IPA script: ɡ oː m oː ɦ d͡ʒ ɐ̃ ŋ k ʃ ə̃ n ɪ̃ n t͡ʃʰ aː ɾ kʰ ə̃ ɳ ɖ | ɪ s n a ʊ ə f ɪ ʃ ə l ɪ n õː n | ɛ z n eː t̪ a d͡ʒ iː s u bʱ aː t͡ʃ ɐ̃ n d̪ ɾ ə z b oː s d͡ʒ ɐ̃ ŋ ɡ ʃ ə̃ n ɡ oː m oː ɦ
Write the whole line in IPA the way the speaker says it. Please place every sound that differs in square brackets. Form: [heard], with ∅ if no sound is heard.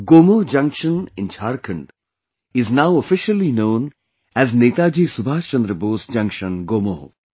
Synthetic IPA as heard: ɡ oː m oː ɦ d͡ʒ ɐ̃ ŋ k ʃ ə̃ n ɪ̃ n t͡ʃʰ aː ɾ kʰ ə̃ ɳ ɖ | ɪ [z] n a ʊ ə f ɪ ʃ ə l [i] n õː n | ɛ z n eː t̪ a d͡ʒ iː s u bʱ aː t͡ʃ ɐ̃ n d̪ ɾ ə [∅] b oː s d͡ʒ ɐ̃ ŋ [k] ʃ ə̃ n ɡ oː m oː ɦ